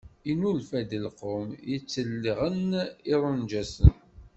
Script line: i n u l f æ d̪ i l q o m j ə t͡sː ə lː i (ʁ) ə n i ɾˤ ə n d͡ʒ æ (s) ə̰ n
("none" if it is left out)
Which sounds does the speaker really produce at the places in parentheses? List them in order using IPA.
ʁ, s

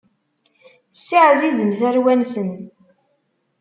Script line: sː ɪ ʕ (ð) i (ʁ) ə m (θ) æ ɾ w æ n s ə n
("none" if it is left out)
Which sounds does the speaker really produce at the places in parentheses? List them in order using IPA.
z, z, θ

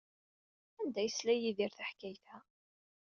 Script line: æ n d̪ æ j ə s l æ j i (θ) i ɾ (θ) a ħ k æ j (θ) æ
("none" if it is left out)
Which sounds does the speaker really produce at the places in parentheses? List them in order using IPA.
ð, θ, θ

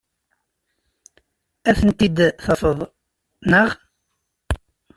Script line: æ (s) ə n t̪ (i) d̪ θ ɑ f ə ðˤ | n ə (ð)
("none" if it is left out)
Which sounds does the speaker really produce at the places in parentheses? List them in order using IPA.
θ, i, ʁ

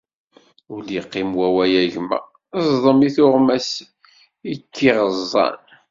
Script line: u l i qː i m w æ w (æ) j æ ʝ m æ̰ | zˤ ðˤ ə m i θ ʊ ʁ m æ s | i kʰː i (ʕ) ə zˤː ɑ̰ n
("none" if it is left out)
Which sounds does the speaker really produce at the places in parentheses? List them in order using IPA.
æ, ʁ

